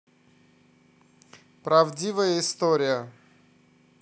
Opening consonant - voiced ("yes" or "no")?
no